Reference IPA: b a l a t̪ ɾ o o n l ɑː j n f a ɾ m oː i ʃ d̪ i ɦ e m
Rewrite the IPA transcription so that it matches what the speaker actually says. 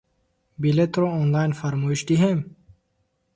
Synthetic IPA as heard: b i l e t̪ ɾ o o n l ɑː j n f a ɾ m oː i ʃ d̪ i ɦ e m